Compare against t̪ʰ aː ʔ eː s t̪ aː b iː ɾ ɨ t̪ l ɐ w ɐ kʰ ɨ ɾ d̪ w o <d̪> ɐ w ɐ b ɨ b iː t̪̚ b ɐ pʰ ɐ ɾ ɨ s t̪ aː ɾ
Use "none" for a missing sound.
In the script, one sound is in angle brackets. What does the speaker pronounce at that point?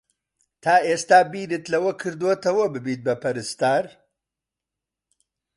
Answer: t̪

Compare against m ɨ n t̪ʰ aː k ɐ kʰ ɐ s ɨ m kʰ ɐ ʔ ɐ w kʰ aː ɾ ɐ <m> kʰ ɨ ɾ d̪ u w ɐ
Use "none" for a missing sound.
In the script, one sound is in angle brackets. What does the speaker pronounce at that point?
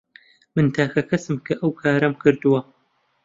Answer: m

